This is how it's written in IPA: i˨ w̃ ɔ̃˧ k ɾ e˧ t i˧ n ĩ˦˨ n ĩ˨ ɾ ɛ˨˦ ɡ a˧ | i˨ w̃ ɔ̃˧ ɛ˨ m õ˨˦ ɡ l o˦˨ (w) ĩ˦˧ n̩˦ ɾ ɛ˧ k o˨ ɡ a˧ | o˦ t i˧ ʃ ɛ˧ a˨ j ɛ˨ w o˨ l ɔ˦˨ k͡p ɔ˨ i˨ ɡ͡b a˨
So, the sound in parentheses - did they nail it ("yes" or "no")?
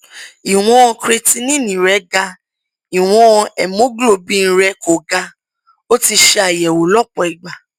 no